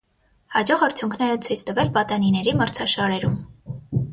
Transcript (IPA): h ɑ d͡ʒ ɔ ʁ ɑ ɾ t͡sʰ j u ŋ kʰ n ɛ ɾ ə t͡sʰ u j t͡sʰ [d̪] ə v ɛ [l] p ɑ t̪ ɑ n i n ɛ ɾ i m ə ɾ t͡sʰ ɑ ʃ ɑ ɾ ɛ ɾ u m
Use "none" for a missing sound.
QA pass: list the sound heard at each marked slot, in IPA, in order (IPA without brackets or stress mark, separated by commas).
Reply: t̪, l